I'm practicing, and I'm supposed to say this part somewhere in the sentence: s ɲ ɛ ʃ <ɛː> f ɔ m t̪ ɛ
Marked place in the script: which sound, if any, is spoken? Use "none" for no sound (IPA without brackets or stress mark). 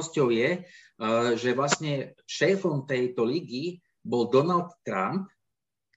ɛː